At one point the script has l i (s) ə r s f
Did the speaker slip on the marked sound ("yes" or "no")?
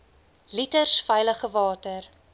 yes